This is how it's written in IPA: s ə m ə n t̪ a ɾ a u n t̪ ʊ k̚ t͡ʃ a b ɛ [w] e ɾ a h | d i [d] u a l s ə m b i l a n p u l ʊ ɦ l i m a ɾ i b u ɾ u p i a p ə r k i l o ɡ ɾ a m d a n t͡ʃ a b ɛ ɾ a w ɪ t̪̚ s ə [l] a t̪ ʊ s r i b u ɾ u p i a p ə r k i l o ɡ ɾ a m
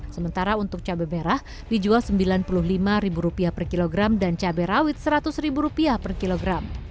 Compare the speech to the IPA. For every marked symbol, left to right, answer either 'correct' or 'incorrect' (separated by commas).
incorrect, incorrect, incorrect